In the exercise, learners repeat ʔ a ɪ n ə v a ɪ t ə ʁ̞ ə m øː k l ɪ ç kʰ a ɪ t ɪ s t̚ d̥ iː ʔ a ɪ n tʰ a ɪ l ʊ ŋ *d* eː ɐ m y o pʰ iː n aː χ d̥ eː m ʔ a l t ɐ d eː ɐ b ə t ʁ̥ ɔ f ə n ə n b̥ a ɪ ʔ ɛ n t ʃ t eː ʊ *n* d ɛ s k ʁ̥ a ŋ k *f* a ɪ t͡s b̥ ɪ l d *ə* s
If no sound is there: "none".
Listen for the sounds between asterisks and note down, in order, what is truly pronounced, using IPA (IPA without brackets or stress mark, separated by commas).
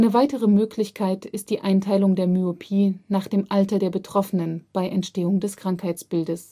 d, ŋ, h, ə